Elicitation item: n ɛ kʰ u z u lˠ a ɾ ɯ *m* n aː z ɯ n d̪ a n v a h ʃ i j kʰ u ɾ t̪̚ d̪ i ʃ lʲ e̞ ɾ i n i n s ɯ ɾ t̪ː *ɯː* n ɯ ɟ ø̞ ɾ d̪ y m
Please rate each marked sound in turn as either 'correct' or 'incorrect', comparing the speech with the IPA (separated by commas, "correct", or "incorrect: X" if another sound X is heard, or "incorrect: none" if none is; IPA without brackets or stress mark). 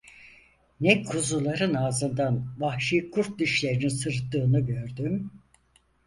incorrect: none, correct